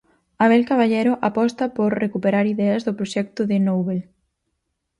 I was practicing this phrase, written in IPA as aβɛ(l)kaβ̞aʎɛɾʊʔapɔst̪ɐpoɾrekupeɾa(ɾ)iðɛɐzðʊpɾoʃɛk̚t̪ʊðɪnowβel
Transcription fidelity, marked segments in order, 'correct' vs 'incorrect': correct, correct

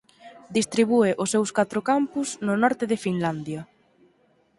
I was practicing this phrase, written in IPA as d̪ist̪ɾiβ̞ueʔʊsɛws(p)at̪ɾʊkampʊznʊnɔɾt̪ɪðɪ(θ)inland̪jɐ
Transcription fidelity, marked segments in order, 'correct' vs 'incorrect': incorrect: k, incorrect: f

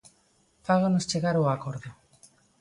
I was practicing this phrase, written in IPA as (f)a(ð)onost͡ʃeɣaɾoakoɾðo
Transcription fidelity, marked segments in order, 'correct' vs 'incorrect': correct, incorrect: ɣ

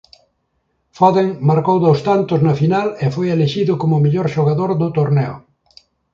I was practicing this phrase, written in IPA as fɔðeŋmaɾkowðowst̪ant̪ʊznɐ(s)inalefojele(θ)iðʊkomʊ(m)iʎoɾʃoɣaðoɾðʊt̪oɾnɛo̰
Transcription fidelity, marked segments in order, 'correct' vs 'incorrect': incorrect: f, incorrect: ʃ, correct

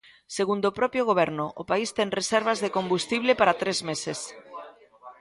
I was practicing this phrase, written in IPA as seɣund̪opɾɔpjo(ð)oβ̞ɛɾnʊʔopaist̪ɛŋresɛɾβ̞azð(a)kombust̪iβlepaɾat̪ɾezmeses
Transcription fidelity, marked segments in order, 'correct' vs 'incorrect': incorrect: ɣ, incorrect: e

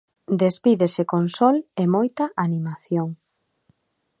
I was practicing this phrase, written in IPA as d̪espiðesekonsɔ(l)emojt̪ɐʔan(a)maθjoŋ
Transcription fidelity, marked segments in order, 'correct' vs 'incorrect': correct, incorrect: i

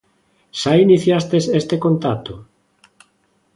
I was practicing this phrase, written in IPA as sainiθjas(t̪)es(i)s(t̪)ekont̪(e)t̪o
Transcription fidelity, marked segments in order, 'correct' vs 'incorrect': correct, incorrect: e, correct, incorrect: a

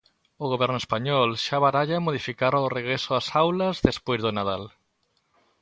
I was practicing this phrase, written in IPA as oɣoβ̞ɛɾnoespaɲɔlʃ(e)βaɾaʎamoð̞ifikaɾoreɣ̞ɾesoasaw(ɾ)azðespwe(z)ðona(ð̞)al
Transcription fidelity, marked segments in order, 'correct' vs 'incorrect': incorrect: a, incorrect: l, correct, correct

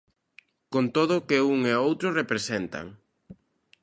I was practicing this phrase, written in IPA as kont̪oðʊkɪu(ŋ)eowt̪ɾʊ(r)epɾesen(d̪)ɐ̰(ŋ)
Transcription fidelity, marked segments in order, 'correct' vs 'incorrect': correct, correct, incorrect: t̪, correct

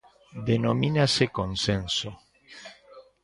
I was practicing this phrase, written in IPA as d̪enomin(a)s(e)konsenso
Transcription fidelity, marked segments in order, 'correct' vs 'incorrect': correct, correct

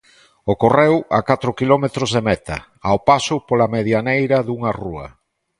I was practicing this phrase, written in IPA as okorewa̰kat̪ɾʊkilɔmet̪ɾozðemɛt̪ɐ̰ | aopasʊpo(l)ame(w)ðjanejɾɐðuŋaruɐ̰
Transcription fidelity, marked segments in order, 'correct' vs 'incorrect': correct, incorrect: none

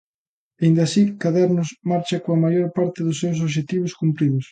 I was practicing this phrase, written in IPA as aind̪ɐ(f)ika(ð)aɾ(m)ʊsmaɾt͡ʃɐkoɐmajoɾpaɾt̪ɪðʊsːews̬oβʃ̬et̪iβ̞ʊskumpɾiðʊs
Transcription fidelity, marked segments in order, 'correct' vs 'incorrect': incorrect: s, correct, incorrect: n

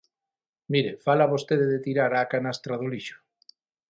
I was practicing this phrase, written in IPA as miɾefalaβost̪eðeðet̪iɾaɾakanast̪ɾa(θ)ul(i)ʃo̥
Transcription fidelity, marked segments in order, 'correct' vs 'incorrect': incorrect: ð, correct

